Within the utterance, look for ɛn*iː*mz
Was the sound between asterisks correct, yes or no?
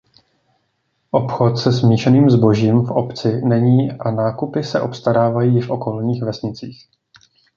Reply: yes